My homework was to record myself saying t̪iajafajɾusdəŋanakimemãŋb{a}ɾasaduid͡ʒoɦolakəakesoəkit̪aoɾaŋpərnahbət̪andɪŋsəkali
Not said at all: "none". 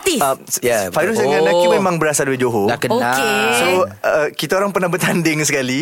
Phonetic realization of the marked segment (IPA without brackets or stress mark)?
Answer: ə